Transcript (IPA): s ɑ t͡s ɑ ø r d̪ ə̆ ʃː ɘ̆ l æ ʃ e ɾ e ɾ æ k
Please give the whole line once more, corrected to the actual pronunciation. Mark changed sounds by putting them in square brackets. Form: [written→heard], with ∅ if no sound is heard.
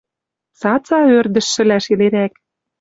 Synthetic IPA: s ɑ t͡s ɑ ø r d̪ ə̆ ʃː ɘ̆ l æ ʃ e [ɾ→l] e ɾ æ k